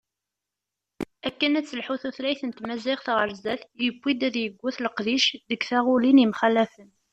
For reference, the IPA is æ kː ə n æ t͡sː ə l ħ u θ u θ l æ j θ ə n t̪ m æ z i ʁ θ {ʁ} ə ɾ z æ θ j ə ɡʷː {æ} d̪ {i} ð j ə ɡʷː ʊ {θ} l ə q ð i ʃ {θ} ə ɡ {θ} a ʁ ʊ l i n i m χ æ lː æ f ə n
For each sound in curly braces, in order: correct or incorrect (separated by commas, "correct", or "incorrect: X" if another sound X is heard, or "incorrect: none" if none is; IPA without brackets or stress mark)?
correct, incorrect: i, incorrect: æ, correct, incorrect: ð, correct